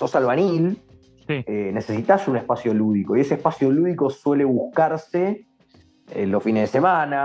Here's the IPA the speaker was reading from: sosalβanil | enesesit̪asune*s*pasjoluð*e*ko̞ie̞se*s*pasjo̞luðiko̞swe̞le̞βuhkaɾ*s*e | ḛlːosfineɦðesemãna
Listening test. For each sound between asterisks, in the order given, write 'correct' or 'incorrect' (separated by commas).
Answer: incorrect, incorrect, incorrect, correct